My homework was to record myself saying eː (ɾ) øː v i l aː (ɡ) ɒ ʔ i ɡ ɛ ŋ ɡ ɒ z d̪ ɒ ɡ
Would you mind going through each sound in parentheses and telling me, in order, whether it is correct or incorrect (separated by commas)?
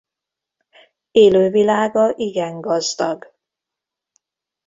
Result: incorrect, correct